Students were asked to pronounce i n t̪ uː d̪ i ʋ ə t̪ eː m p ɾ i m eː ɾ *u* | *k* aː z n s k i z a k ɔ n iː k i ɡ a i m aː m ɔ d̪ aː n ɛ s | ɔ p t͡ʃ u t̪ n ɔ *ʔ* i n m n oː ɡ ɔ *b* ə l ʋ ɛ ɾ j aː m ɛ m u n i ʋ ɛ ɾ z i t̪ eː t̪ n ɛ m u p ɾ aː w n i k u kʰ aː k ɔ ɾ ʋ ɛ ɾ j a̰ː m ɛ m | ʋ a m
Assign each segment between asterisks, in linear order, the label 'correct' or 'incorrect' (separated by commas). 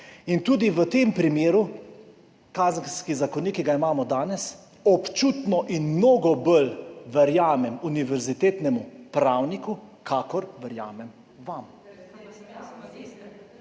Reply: correct, correct, correct, correct